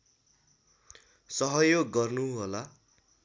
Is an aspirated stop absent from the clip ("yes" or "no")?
yes